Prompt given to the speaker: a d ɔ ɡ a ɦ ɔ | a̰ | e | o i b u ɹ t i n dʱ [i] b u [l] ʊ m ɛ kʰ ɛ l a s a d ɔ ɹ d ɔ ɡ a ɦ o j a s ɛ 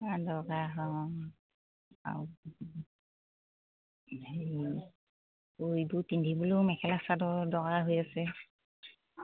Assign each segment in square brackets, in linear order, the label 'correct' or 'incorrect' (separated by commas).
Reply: correct, correct